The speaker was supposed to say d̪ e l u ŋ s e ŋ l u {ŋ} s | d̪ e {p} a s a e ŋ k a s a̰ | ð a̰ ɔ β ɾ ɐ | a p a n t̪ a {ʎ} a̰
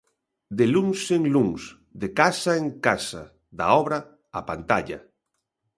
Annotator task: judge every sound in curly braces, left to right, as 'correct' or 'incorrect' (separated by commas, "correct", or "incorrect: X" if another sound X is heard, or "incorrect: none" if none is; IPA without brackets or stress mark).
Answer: correct, incorrect: k, correct